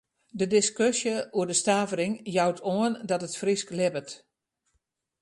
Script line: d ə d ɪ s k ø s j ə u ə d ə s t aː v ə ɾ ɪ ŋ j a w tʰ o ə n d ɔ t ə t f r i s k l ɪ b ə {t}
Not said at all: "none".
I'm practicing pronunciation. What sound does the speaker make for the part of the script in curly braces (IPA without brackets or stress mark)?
t